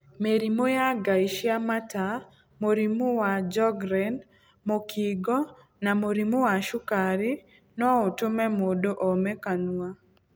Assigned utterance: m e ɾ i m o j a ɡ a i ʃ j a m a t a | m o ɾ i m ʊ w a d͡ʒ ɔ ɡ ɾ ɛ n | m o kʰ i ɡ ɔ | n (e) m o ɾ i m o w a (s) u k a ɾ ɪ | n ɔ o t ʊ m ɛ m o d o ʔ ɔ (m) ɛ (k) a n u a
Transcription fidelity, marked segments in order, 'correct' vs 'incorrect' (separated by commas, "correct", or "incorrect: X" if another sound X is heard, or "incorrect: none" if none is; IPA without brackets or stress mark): incorrect: a, incorrect: ʃ, correct, correct